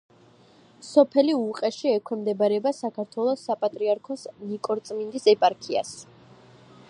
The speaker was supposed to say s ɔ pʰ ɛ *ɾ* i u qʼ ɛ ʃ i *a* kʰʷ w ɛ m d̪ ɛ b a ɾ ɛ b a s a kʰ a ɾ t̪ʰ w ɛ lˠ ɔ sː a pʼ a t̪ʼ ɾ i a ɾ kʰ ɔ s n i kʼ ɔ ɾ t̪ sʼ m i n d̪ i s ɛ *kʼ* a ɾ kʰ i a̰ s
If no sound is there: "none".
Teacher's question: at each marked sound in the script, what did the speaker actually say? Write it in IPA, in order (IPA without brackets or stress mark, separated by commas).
l, ɛ, pʼ